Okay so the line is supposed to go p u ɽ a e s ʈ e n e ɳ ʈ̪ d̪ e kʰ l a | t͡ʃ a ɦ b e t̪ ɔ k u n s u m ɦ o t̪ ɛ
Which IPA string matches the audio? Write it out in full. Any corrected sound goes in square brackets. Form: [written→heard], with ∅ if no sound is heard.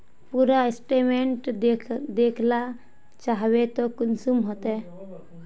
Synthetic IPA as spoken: p u [ɽ→ɾ] a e s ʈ e [n→m] e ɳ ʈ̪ d̪ e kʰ l a | t͡ʃ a ɦ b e t̪ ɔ k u n s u m ɦ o t̪ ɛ